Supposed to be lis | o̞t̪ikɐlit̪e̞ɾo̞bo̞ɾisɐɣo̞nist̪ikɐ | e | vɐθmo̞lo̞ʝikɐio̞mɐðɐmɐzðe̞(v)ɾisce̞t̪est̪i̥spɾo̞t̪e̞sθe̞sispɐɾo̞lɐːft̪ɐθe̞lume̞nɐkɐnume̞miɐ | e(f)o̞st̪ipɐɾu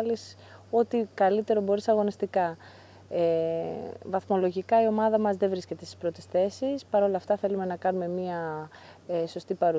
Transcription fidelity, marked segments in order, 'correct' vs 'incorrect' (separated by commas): correct, incorrect